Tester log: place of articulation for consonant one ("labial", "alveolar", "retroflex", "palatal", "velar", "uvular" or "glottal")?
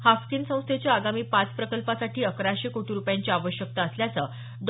glottal